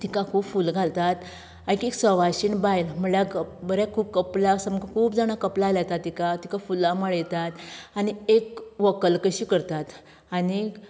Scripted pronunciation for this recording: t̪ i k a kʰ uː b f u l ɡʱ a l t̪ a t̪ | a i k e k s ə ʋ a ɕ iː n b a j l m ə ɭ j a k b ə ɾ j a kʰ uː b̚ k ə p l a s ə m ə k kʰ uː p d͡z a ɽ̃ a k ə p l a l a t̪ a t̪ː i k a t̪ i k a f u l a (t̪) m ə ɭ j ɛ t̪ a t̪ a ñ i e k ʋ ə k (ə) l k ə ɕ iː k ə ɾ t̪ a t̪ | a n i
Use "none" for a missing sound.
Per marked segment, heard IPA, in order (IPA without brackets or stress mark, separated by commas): none, ə